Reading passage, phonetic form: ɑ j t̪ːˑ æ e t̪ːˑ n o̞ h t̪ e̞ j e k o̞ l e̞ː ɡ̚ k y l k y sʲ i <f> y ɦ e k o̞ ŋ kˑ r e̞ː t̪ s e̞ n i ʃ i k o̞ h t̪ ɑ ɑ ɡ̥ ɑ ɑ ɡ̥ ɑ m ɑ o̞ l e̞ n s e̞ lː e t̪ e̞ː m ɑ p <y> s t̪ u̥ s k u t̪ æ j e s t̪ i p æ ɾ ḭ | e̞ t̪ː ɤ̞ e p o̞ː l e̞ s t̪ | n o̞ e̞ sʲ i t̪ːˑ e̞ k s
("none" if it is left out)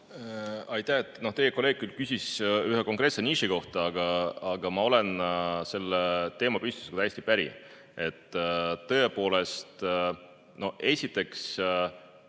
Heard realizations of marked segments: s, y

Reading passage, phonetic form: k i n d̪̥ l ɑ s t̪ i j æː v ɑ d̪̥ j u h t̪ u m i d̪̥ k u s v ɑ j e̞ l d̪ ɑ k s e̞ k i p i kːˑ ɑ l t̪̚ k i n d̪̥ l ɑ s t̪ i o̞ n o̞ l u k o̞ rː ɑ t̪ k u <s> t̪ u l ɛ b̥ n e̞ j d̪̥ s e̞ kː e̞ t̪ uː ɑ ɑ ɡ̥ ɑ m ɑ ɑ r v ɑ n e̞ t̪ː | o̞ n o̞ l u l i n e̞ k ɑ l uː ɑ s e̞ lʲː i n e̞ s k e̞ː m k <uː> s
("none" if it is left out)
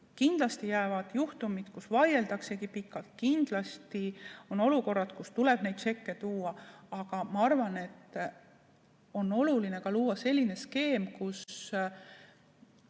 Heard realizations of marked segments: s, u

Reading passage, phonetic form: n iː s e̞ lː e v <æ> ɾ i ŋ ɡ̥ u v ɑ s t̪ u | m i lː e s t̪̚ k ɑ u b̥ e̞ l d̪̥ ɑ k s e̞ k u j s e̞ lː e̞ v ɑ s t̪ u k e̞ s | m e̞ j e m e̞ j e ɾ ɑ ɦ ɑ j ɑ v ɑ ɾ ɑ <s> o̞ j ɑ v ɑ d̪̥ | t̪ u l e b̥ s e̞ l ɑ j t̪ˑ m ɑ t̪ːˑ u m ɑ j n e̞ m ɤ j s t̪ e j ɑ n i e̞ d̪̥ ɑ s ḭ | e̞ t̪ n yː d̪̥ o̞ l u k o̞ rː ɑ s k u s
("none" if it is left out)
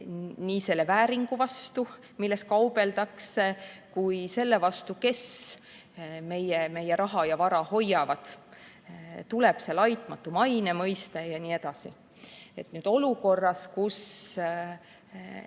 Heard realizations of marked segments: æː, h

